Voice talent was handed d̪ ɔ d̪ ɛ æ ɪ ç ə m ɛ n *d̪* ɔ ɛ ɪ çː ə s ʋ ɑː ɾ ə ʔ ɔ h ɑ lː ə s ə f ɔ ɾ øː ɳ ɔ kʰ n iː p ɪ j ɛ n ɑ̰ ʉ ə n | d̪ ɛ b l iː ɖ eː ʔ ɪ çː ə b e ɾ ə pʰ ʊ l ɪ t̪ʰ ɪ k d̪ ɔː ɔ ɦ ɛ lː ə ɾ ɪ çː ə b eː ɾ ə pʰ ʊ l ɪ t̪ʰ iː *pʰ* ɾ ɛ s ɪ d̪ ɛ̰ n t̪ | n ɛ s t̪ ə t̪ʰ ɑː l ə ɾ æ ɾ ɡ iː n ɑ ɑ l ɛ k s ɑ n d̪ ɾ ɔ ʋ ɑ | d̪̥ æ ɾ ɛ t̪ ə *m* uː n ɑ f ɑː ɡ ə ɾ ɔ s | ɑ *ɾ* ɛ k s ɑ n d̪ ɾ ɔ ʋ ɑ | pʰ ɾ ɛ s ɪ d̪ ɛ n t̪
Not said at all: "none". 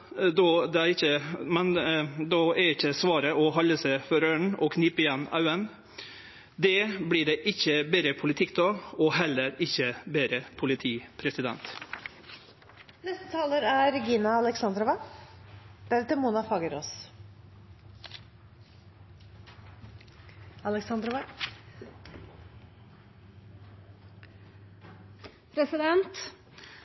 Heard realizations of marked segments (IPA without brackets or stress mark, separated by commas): d̪, pʰ, m, l